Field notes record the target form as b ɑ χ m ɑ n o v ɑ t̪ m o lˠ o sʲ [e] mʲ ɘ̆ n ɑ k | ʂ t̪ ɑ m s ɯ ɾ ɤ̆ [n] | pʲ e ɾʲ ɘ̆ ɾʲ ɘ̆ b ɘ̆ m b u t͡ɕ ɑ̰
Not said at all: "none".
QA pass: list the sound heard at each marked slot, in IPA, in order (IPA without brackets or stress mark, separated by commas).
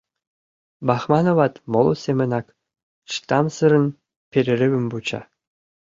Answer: e, n